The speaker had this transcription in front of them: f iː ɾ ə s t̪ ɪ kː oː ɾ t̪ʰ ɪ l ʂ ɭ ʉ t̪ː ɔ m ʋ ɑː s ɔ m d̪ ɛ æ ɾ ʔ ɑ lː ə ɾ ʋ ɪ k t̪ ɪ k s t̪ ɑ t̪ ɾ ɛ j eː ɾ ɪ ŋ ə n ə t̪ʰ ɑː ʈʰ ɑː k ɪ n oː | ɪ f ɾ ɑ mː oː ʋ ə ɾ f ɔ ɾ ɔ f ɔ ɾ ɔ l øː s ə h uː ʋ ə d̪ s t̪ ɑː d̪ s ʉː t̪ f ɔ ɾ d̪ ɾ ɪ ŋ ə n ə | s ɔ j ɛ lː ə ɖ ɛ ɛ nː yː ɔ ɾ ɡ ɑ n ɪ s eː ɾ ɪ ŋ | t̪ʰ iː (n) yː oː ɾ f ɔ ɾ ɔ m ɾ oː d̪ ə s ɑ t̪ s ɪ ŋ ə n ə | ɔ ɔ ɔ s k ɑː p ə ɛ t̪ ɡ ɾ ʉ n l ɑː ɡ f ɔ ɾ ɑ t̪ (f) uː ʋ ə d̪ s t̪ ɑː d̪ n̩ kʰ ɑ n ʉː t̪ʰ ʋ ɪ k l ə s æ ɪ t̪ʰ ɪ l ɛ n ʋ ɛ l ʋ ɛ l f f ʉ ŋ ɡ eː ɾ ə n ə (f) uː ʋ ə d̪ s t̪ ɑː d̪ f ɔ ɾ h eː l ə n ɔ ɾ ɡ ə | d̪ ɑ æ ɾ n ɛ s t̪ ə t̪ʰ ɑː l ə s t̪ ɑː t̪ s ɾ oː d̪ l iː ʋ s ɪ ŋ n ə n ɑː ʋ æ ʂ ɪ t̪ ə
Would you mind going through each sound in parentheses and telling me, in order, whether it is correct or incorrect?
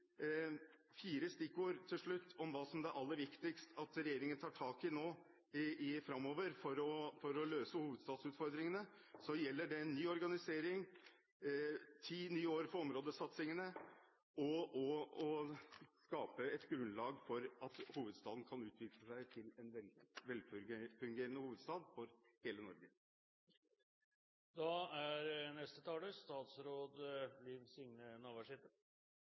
correct, incorrect: h, incorrect: h

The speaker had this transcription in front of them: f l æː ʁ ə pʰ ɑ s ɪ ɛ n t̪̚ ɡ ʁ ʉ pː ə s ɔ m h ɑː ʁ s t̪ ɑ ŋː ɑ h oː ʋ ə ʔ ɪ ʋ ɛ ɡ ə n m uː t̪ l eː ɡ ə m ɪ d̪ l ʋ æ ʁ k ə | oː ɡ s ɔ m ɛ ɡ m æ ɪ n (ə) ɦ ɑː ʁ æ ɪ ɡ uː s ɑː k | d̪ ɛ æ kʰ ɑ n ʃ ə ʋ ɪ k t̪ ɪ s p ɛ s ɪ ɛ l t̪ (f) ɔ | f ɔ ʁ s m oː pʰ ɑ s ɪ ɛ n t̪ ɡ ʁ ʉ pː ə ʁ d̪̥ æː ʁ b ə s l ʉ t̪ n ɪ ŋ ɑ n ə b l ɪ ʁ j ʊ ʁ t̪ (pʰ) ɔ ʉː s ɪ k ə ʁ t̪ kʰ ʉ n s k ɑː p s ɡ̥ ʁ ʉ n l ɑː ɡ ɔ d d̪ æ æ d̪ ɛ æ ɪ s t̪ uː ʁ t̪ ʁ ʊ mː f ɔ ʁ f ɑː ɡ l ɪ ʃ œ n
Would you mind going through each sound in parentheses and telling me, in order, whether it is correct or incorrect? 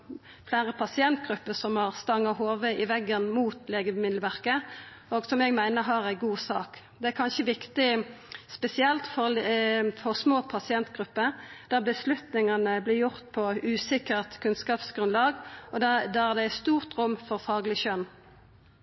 correct, correct, correct

